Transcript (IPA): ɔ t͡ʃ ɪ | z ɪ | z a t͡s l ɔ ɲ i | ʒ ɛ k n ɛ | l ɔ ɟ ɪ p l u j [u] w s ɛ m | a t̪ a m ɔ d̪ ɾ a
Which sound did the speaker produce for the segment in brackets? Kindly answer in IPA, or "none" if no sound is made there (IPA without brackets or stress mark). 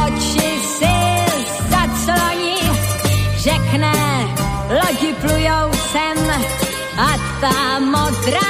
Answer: o